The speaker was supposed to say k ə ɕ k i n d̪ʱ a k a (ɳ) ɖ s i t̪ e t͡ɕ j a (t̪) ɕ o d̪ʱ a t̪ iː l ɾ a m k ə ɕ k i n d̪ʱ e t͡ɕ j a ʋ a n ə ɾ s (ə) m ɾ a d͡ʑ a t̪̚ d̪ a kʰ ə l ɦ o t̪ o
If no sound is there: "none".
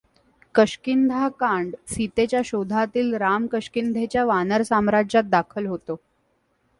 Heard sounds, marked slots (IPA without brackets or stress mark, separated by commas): ɳ, none, a